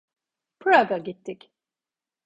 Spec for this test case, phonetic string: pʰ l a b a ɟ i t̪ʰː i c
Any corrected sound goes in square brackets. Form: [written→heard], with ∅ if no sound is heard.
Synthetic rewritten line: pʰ [l→ɾ] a [b→ɡ] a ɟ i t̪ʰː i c